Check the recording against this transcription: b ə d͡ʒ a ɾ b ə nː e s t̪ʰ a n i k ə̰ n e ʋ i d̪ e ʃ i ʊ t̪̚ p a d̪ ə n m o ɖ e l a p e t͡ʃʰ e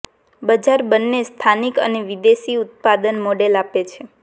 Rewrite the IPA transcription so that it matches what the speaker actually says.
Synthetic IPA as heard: b ə d͡ʒ a ɾ b ə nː e s t̪ʰ a n i k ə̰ n e ʋ i d̪ e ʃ i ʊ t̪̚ p a d̪ ə n m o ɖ e l a p e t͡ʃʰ e